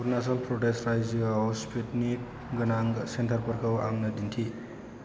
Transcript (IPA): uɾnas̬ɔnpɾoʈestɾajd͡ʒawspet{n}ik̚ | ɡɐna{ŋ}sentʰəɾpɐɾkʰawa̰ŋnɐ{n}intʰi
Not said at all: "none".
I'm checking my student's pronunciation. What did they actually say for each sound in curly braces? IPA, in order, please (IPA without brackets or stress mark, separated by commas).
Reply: n, ŋ, d